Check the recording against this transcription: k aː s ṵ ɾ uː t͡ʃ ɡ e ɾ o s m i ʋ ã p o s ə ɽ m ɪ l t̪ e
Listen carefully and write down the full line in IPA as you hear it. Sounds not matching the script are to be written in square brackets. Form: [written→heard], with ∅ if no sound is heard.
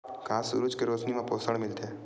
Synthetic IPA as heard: k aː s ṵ ɾ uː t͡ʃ [ɡ→k] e ɾ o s [m→n] i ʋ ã p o s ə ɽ m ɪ l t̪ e